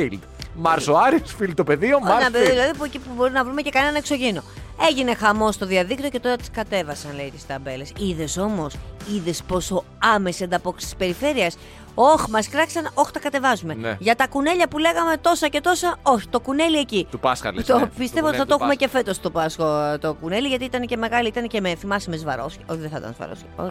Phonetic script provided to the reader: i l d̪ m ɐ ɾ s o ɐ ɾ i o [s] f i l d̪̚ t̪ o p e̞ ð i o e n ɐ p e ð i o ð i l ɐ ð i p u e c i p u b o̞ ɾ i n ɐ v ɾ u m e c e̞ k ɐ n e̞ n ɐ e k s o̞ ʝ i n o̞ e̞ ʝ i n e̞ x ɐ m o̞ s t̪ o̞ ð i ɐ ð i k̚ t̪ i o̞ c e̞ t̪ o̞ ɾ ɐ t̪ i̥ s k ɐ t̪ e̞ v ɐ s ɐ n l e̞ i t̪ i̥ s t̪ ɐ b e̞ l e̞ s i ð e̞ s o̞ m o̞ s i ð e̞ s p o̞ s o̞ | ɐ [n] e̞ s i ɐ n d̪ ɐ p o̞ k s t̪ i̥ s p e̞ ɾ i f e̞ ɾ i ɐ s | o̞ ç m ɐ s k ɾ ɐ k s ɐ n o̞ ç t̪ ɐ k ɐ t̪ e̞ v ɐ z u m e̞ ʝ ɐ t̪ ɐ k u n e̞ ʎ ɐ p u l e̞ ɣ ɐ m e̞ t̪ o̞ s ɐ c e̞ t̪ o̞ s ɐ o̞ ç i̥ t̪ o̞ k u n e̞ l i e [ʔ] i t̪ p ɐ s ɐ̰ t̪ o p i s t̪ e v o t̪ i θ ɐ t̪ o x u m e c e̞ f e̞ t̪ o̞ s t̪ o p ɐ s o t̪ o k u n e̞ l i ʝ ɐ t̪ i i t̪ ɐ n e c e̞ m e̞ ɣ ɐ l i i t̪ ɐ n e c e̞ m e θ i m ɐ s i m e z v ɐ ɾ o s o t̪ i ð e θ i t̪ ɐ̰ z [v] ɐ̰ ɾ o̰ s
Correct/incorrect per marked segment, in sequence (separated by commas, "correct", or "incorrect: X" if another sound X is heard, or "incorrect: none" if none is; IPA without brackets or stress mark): correct, incorrect: m, incorrect: c, correct